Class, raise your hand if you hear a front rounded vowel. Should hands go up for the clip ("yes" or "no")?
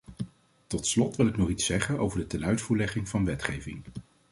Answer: yes